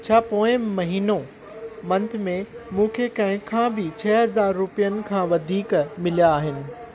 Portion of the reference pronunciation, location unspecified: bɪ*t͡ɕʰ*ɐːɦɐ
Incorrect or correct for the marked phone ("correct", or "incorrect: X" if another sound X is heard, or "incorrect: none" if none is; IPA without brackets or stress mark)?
correct